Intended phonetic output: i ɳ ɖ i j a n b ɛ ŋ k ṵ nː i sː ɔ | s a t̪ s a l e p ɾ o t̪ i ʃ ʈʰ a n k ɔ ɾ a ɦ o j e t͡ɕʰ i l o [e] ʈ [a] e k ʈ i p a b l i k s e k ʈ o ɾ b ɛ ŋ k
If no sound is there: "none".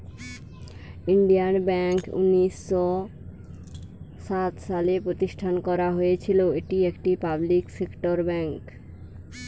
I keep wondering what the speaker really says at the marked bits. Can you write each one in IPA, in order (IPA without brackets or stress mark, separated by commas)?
e, i